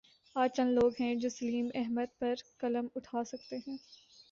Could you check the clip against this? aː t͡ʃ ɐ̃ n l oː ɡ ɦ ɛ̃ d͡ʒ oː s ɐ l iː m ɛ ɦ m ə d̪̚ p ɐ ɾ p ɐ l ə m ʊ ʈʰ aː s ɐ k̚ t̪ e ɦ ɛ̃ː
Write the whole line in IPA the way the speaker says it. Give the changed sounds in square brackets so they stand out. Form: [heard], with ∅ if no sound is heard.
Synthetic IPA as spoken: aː t͡ʃ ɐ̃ n l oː ɡ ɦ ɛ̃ d͡ʒ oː s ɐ l iː m ɛ ɦ m ə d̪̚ p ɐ ɾ [k] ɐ l ə m ʊ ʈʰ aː s ɐ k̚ t̪ e ɦ ɛ̃ː

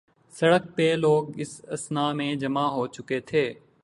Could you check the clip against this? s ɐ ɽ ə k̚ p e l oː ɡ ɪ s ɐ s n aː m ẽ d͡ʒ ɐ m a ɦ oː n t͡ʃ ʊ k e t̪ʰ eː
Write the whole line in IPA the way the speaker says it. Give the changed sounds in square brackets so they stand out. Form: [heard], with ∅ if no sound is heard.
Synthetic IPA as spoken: s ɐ ɽ ə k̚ p e l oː ɡ ɪ s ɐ s n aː m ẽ d͡ʒ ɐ m a ɦ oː [∅] t͡ʃ ʊ k e t̪ʰ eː

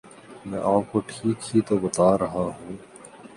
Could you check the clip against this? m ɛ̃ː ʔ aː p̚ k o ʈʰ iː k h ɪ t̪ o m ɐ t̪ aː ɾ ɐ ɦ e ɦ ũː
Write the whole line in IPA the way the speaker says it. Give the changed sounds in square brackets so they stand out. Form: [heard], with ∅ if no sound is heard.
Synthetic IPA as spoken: m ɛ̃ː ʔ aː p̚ k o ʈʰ iː k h [i] t̪ o [b] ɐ t̪ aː ɾ ɐ ɦ [a] ɦ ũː

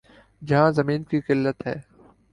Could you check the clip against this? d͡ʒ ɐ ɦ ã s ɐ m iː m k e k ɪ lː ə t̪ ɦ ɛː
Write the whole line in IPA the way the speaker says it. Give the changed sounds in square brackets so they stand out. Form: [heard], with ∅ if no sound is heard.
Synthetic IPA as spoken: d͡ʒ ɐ ɦ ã [z] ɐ m iː [n] k [i] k ɪ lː ə t̪ ɦ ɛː

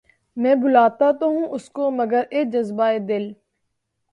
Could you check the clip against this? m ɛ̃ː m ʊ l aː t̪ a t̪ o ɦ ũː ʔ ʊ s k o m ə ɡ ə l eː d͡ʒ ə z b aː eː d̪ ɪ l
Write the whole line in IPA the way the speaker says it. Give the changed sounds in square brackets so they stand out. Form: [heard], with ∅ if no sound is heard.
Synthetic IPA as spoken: m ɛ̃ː [b] ʊ l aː t̪ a t̪ o ɦ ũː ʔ ʊ s k o m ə ɡ ə [ɾ] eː d͡ʒ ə z b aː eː d̪ ɪ l

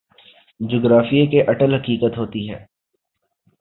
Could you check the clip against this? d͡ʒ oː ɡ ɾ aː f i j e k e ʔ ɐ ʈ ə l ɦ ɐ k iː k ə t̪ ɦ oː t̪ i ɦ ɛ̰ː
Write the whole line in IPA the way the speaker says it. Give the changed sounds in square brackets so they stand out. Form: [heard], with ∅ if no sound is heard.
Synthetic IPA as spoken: d͡ʒ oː ɡ ɾ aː f i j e k e ʔ ɐ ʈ ə l ɦ ɐ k iː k ə t̪ ɦ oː t̪ i ɦ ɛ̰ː

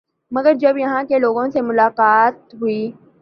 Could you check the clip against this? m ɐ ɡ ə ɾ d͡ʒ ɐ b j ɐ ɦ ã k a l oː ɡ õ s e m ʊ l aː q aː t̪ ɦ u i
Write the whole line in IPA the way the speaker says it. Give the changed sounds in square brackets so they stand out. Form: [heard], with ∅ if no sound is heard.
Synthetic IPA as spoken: m ɐ ɡ ə ɾ d͡ʒ ɐ b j ɐ ɦ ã k [e] l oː ɡ õ s e m ʊ l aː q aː t̪ ɦ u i

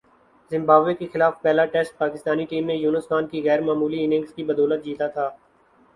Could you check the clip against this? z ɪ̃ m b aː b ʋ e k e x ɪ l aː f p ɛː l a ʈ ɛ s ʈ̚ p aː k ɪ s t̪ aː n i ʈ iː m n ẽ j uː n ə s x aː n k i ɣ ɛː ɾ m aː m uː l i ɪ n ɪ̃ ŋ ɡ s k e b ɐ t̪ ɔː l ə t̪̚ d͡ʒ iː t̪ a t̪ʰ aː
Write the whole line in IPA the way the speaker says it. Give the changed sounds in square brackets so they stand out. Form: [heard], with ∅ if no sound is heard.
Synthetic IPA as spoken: z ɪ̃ m b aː b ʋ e k e x ɪ l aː f p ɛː l a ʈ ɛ s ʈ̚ p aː k ɪ s t̪ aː n i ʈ iː m n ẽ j uː n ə s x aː n k i ɣ ɛː ɾ m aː m uː l i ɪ n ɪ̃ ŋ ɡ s k [i] b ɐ [d̪] ɔː l ə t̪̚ d͡ʒ iː t̪ a t̪ʰ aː

